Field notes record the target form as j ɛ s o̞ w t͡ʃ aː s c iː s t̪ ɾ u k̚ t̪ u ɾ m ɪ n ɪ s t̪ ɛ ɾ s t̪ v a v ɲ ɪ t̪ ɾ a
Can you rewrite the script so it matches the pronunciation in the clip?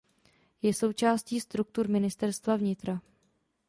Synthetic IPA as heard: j ɛ s o̞ w t͡ʃ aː s c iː s t̪ ɾ u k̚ t̪ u ɾ m ɪ n ɪ s t̪ ɛ ɾ s t̪ v a v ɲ ɪ t̪ ɾ a